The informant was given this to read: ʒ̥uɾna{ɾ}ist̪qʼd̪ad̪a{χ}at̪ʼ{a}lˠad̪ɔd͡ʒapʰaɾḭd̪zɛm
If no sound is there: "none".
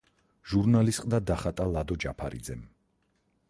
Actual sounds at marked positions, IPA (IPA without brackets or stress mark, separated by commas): l, χ, a